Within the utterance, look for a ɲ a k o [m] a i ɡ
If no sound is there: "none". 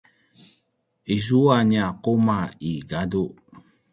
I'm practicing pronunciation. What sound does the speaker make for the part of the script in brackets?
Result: m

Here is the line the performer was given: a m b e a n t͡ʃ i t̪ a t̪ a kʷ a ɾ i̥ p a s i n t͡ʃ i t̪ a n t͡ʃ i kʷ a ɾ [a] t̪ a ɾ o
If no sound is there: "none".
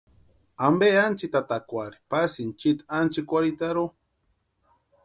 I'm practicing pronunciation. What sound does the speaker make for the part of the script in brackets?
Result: i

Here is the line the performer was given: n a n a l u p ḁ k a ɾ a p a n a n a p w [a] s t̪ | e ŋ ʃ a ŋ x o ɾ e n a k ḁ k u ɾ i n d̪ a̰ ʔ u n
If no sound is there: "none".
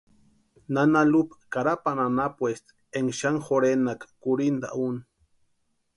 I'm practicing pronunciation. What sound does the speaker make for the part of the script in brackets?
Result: e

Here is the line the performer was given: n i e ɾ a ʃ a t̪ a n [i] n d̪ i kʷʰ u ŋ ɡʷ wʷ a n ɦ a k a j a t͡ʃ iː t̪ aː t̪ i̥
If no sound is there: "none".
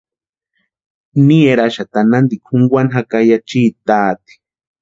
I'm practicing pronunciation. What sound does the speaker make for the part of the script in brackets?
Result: a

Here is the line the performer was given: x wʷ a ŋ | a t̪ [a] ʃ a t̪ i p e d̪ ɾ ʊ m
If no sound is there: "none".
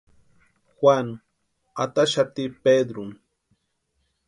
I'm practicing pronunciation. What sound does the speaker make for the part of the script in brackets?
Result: a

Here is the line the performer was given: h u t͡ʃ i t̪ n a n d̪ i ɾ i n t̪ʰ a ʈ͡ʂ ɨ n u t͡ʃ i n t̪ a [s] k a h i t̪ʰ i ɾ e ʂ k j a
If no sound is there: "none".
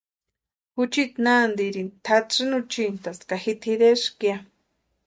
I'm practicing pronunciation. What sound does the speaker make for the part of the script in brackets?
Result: s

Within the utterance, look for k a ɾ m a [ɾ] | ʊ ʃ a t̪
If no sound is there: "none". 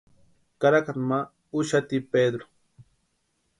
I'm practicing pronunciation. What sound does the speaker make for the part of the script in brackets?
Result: none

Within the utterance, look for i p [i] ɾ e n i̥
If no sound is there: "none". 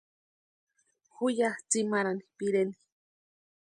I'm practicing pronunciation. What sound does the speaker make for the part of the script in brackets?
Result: i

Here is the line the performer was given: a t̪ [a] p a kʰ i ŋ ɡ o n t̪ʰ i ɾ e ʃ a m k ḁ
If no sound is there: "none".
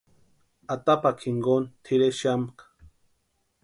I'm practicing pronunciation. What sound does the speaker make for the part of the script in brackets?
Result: a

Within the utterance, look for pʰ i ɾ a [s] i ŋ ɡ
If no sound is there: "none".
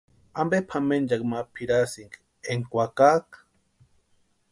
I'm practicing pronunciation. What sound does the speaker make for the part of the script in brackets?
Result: s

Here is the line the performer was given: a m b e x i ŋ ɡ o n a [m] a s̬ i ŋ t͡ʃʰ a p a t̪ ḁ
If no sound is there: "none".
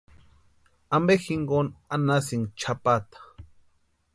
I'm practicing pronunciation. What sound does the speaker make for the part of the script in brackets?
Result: n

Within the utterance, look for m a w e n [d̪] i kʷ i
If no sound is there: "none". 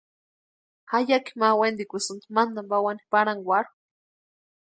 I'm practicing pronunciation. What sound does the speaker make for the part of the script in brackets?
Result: d̪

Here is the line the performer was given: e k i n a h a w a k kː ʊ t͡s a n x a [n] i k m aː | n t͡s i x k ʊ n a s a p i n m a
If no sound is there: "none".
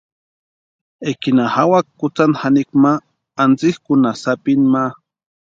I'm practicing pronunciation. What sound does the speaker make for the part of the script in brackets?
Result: n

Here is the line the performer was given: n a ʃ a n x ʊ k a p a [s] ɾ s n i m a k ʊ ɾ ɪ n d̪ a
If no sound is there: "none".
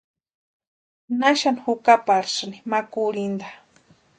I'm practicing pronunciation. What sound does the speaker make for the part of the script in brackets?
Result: none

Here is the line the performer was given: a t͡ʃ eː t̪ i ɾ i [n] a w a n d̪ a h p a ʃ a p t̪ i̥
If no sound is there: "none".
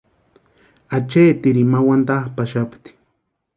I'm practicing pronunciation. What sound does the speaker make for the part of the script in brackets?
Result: m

